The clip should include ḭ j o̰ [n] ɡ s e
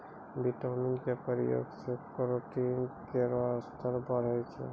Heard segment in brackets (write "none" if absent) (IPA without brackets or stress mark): none